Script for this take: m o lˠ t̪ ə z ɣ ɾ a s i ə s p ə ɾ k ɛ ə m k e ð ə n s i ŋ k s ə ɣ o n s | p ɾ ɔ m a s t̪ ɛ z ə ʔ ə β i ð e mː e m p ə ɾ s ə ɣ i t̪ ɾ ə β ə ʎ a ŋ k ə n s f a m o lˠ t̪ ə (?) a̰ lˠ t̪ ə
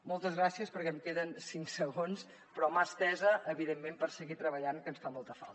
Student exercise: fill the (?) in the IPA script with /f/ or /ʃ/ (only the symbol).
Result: f